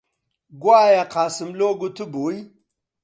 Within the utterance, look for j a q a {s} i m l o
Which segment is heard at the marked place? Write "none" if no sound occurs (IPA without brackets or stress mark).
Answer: s